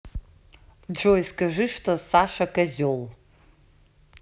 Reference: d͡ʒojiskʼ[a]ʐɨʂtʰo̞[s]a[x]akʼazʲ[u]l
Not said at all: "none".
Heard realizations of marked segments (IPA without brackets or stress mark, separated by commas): a, s, ʂ, o